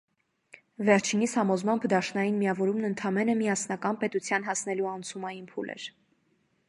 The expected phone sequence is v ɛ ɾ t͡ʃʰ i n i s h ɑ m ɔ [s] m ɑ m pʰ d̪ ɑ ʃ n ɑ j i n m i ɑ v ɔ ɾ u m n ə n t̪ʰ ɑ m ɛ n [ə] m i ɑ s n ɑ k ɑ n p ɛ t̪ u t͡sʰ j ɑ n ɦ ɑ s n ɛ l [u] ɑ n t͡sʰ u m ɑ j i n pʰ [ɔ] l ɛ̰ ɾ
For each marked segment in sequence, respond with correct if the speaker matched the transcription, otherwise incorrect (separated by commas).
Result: incorrect, correct, correct, incorrect